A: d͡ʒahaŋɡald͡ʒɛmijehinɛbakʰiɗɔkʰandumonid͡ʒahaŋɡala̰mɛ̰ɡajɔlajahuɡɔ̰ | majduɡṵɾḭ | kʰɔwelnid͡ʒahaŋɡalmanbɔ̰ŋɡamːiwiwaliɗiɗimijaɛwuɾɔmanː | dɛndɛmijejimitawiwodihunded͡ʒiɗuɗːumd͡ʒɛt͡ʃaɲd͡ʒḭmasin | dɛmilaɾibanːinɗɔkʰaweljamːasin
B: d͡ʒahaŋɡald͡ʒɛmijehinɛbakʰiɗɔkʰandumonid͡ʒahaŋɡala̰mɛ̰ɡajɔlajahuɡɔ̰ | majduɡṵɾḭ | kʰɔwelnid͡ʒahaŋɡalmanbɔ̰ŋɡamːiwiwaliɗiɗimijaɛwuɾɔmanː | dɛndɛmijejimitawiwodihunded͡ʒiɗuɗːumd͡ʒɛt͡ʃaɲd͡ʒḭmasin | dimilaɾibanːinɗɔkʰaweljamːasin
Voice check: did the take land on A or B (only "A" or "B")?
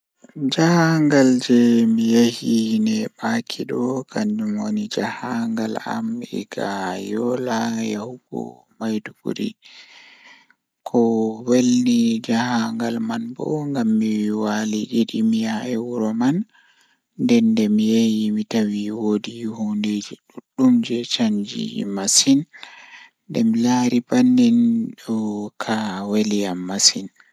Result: A